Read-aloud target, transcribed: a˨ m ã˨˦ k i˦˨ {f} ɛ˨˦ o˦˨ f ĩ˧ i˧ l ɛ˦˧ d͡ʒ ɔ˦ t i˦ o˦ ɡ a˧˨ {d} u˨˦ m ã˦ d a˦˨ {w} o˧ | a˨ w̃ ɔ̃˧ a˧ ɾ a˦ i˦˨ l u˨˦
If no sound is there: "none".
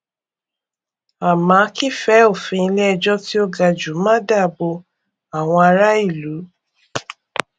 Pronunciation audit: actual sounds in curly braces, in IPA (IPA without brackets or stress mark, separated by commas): f, d͡ʒ, b